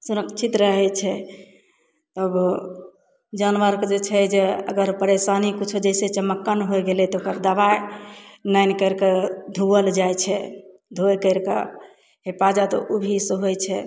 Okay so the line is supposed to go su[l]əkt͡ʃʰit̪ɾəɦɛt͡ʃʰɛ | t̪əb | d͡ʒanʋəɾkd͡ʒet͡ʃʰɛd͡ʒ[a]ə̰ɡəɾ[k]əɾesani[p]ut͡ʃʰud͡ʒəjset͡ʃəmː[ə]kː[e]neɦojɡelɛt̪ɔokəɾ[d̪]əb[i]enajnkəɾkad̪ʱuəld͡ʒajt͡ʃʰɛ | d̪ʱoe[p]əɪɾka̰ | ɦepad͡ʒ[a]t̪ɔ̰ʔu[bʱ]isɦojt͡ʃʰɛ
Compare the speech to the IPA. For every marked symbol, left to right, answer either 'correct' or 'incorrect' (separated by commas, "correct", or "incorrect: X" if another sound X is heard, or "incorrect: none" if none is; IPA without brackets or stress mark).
incorrect: ɾ, incorrect: e, incorrect: p, incorrect: k, correct, incorrect: a, correct, incorrect: a, incorrect: k, correct, correct